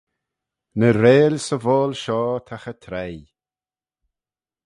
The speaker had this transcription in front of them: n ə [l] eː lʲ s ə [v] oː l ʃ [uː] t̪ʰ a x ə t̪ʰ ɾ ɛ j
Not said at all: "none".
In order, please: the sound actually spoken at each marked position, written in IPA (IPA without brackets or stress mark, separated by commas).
ɾ, v, ɔː